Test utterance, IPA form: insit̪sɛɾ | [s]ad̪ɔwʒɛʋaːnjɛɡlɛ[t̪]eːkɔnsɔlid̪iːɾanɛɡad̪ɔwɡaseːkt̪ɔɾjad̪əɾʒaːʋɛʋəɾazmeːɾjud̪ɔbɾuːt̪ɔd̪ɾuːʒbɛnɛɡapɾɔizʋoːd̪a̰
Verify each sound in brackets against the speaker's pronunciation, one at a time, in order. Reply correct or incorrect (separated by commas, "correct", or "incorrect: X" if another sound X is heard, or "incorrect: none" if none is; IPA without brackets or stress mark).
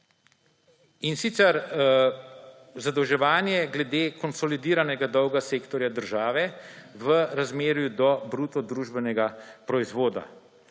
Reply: incorrect: z, incorrect: d̪